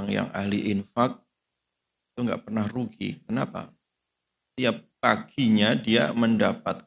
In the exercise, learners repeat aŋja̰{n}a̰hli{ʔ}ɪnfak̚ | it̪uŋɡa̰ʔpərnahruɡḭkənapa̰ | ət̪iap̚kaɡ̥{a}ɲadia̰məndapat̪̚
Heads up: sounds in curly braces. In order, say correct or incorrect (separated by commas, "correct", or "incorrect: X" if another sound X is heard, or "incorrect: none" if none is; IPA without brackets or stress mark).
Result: incorrect: ŋ, correct, incorrect: i